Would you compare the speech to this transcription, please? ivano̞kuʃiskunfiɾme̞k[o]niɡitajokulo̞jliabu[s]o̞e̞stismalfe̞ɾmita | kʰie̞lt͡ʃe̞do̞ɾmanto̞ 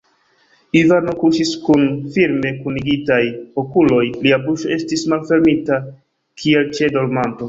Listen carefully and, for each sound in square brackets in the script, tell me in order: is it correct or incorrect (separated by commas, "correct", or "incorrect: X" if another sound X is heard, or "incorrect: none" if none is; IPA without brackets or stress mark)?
incorrect: u, incorrect: ʃ